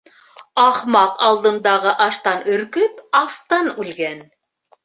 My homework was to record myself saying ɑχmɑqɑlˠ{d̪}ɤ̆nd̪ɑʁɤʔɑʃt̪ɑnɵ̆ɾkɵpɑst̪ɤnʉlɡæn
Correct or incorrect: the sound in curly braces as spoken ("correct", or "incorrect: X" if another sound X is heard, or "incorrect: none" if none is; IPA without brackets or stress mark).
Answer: correct